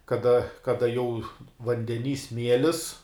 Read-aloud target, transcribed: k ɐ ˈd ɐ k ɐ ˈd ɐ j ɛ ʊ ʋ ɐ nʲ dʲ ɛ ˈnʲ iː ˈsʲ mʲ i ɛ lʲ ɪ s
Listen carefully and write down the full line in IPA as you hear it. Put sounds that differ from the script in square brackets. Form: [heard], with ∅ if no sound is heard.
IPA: k ɐ ˈd ɐ k ɐ ˈd ɐ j ɛ ʊ ʋ ɐ nʲ dʲ ɛ ˈnʲ iː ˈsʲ mʲ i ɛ lʲ ɪ s